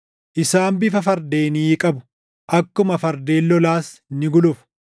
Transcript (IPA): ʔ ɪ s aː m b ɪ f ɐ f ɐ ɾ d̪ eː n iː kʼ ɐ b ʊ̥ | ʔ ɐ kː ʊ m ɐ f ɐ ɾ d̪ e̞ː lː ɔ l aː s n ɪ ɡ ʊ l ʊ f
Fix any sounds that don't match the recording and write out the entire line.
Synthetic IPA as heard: ʔ ɪ s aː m b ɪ f ɐ f ɐ ɾ d̪ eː n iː kʼ ɐ b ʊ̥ | ʔ ɐ kː ʊ m ɐ f ɐ ɾ d̪ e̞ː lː ɔ l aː s n ɪ ɡ ʊ l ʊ f